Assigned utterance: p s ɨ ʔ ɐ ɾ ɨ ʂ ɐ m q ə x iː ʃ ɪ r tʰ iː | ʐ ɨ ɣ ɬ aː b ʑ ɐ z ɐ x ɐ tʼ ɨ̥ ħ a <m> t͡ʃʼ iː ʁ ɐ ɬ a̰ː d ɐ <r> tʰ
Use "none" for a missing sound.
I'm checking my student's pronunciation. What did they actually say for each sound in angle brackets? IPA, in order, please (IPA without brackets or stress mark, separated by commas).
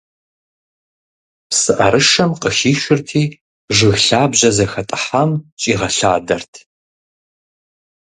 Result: m, r